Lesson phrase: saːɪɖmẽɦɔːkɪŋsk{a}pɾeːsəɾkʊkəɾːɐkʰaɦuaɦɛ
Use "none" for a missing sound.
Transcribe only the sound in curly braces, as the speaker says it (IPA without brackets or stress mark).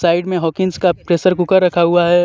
a